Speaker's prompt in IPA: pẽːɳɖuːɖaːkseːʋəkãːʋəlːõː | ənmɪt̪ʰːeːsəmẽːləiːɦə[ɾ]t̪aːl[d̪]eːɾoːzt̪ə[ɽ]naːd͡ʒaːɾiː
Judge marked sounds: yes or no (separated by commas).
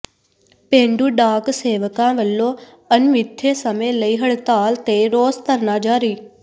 no, no, no